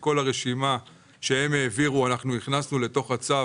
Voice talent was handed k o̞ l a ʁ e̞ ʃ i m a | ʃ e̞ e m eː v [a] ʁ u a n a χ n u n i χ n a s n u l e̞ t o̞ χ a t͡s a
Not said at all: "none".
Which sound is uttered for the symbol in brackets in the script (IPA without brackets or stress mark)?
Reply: i